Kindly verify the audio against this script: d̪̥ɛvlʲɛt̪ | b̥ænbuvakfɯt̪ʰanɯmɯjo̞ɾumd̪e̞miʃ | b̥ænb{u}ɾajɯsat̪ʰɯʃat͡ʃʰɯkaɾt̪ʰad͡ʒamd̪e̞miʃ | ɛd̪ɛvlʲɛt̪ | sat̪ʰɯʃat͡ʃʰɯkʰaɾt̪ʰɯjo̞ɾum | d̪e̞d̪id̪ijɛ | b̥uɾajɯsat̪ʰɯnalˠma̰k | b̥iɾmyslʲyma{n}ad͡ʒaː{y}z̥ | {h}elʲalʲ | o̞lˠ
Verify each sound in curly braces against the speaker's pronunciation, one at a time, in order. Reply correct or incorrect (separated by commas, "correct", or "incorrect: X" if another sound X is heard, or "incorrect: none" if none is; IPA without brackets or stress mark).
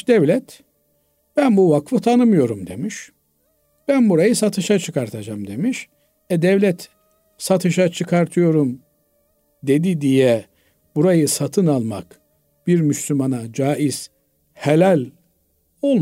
correct, correct, incorrect: i, correct